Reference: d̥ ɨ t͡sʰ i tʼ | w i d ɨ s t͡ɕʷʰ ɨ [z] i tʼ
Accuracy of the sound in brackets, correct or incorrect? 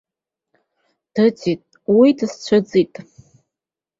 incorrect